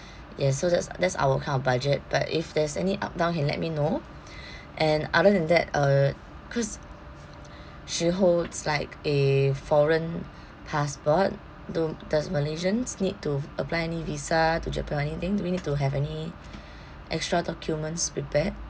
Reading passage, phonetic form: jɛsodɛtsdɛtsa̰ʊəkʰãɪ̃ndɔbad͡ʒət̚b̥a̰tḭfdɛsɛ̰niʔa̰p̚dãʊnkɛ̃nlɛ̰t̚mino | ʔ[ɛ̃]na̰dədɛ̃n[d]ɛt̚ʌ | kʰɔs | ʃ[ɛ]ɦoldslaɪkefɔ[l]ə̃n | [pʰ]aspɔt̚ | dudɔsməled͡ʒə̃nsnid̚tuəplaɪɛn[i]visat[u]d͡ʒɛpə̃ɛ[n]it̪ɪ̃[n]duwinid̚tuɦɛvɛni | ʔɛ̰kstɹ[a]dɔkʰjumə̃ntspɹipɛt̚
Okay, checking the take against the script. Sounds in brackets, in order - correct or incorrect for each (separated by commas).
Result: correct, correct, incorrect, incorrect, correct, correct, correct, correct, incorrect, correct